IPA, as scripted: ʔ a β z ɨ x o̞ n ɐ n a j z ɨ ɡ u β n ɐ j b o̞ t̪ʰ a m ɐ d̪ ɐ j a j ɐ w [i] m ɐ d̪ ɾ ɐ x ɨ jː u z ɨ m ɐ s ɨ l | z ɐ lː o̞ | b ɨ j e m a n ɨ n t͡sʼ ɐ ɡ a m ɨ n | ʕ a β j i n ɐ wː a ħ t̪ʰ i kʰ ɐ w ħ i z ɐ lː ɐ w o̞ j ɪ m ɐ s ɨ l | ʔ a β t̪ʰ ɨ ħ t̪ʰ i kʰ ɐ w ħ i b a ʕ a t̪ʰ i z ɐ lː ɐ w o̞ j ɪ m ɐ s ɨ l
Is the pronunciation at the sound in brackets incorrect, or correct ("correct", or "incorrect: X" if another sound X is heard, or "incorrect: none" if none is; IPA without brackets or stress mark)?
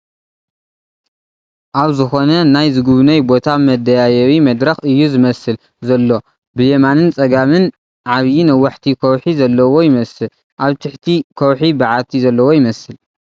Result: correct